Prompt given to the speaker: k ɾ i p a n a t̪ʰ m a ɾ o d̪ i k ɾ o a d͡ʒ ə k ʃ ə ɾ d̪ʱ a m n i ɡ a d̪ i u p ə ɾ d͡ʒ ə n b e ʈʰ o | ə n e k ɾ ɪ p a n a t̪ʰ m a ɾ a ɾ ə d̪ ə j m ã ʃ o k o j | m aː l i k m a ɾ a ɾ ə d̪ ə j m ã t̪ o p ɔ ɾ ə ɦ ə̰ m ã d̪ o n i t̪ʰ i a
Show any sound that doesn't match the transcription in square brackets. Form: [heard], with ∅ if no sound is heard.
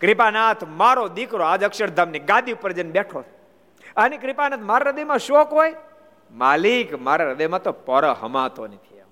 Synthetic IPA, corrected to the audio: k ɾ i p a n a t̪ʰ m a ɾ o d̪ i k ɾ o a d͡ʒ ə k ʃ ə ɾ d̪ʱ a m n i ɡ a d̪ i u p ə ɾ d͡ʒ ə n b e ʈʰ o | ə n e k ɾ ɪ p a n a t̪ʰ m a ɾ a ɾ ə d̪ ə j m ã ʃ o k o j | m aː l i k m a ɾ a ɾ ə d̪ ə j m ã t̪ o p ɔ ɾ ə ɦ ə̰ m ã [t̪] o n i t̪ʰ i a